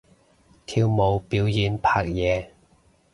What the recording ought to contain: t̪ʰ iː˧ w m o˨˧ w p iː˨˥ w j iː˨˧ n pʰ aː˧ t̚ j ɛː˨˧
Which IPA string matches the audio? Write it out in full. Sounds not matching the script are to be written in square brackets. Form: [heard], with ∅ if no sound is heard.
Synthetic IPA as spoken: t̪ʰ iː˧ w m o˨˧ w p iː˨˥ w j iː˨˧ n pʰ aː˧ [k̚] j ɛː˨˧